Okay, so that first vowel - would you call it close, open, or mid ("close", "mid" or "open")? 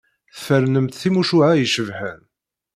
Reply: mid